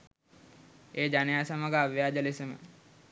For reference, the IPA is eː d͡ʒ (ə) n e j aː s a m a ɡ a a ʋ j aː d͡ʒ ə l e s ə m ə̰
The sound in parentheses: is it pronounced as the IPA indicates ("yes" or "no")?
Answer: no